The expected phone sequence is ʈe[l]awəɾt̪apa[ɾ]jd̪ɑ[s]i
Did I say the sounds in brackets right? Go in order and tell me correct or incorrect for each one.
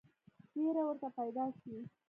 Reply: incorrect, incorrect, incorrect

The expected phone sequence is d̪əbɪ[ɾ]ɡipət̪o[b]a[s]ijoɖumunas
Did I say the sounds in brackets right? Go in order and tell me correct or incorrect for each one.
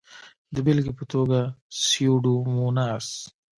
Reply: incorrect, incorrect, correct

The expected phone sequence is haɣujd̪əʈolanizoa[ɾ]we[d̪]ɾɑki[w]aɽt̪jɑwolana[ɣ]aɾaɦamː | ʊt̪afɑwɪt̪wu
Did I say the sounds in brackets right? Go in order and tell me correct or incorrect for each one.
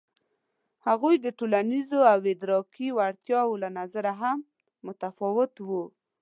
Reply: incorrect, correct, correct, incorrect

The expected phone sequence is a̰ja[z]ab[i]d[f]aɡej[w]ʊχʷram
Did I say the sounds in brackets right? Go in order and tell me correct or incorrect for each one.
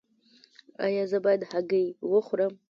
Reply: correct, incorrect, incorrect, correct

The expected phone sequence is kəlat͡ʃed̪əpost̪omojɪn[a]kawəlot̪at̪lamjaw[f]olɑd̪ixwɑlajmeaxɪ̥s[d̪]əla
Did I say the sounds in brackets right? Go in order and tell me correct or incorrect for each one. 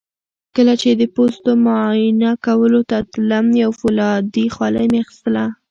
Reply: correct, correct, incorrect

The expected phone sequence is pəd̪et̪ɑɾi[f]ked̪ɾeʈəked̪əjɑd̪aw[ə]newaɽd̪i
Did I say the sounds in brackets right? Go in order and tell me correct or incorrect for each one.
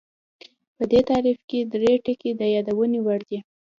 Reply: correct, correct

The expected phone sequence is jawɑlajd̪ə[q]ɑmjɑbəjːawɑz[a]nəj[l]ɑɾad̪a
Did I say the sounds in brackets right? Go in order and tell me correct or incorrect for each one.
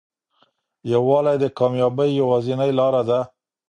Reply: incorrect, incorrect, correct

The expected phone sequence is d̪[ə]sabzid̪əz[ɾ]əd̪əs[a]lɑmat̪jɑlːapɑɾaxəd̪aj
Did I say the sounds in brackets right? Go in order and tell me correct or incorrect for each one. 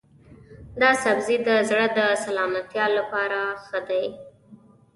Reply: incorrect, incorrect, correct

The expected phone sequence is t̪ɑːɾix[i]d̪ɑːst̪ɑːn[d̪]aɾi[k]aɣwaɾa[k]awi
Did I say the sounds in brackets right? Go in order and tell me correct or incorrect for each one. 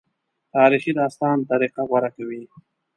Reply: correct, incorrect, incorrect, correct

